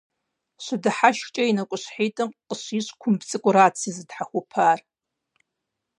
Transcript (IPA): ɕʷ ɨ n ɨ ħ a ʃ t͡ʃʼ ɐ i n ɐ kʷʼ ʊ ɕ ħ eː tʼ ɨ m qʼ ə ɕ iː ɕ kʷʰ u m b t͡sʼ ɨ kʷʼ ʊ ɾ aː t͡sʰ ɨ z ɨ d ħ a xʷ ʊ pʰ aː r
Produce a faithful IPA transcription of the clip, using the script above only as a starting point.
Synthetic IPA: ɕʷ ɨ d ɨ ħ a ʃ t͡ʃʼ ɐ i n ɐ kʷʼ ʊ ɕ ħ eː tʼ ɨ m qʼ ə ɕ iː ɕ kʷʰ ʊ m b t͡sʼ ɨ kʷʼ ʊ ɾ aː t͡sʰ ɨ z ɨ d ħ a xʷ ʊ pʰ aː r